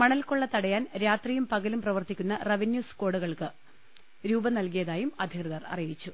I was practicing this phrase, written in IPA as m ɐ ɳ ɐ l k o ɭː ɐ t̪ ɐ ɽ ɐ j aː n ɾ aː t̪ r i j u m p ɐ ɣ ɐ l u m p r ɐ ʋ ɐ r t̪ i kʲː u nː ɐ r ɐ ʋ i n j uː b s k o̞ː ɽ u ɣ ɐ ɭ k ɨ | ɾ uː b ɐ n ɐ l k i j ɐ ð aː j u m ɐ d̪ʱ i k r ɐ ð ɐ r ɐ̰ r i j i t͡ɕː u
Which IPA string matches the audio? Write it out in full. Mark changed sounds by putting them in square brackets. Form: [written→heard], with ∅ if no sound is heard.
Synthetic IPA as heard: m ɐ ɳ ɐ l k o ɭː ɐ t̪ ɐ ɽ ɐ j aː n ɾ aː t̪ r i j u m p ɐ ɣ ɐ l u m p r ɐ ʋ ɐ r t̪ i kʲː u nː ɐ r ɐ ʋ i n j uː [b→∅] s k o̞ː ɽ u ɣ ɐ ɭ k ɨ | ɾ uː b ɐ n ɐ l k i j ɐ ð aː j u m ɐ d̪ʱ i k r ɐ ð ɐ r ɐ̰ r i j i t͡ɕː u